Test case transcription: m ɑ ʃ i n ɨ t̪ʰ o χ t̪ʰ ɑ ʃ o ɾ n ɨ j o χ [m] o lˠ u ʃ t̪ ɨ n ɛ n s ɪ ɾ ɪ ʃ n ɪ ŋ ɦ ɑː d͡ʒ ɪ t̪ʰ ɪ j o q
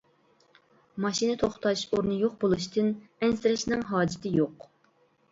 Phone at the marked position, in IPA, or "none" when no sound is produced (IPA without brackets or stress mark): b